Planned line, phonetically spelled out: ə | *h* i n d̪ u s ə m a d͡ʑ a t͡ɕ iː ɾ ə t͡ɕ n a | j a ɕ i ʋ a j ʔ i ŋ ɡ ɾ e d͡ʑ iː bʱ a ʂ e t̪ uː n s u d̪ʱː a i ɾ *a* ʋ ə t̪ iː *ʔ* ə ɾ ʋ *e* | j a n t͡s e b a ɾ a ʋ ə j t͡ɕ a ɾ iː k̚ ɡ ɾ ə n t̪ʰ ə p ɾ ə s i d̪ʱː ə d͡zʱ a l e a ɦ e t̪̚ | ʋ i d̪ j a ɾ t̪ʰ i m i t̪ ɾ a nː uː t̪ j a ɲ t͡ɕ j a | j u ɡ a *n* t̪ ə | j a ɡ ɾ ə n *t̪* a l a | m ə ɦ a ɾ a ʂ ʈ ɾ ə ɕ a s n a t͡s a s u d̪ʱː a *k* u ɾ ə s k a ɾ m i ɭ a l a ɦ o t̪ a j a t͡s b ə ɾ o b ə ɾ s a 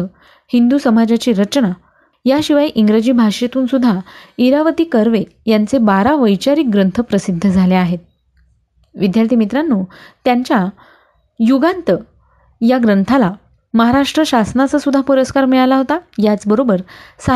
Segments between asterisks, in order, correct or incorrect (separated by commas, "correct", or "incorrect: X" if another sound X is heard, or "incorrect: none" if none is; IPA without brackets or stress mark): correct, correct, incorrect: k, correct, correct, incorrect: t̪ʰ, incorrect: p